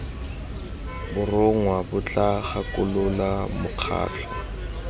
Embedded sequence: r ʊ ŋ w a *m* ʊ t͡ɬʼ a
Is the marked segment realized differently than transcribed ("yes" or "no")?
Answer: yes